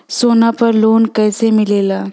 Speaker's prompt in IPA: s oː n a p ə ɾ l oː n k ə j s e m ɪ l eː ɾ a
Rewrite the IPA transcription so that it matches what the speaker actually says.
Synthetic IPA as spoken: s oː n a p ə ɾ l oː n k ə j s e m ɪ l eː l a